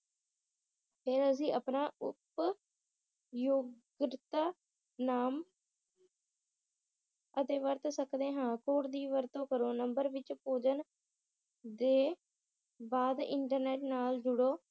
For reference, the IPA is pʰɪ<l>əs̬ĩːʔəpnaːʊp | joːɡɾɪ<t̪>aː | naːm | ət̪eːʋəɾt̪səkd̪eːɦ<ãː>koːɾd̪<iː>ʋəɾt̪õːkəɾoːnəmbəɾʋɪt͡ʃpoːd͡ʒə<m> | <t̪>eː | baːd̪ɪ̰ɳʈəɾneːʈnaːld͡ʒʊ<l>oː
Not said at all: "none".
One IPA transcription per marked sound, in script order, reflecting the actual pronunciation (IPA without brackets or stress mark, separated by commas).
ɾ, t̪, ãː, iː, n, d̪, ɽ